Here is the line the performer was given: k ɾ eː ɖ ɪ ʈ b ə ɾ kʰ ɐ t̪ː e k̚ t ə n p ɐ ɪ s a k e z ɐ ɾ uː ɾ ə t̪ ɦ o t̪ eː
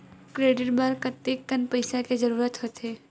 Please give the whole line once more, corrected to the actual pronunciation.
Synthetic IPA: k ɾ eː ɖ ɪ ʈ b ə ɾ k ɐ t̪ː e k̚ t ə n p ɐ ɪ s a k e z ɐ ɾ uː ɾ ə t̪ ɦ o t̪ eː